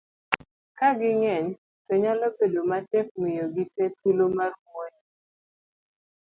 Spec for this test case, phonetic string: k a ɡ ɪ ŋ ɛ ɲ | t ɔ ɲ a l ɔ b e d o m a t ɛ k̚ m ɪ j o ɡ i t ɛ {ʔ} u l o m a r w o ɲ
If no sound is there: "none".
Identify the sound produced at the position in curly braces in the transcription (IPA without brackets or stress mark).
t